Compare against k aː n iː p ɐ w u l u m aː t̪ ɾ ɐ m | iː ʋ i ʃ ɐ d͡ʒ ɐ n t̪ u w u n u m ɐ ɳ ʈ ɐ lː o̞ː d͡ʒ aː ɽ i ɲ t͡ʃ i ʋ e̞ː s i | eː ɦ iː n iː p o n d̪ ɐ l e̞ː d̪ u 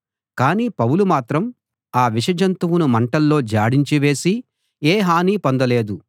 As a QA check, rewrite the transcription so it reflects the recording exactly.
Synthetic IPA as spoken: k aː n iː p ɐ w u l u m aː t̪ ɾ ɐ m | aː ʋ i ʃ ɐ d͡ʒ ɐ n t̪ u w u n u m ɐ ɳ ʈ ɐ lː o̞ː d͡ʒ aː ɽ i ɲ t͡ʃ i ʋ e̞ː s i | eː ɦ aː n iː p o n d̪ ɐ l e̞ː d̪ u